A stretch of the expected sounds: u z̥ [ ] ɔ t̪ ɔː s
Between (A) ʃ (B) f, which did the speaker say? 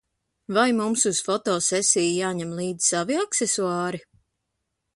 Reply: B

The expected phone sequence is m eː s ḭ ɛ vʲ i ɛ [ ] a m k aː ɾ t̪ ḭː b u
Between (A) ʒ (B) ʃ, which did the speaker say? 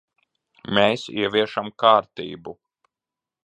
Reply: B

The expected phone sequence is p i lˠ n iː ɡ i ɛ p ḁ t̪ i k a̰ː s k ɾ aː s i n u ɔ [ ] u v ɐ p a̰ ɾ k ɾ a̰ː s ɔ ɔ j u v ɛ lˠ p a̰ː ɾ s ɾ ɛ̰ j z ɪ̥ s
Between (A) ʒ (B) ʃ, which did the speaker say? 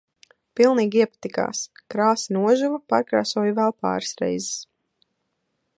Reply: A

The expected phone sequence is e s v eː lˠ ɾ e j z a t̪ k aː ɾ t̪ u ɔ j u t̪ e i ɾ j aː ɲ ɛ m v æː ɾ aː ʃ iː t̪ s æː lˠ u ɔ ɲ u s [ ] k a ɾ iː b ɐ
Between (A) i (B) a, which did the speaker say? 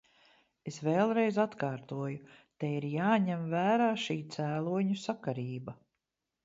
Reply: B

